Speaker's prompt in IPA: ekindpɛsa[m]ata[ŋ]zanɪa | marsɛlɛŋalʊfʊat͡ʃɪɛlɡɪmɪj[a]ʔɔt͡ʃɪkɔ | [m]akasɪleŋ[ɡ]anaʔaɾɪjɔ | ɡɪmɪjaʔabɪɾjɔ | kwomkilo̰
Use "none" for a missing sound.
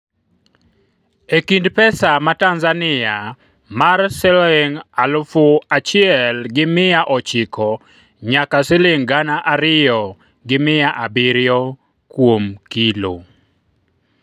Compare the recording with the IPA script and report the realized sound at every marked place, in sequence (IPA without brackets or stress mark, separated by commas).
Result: m, n, a, ɲ, ɡ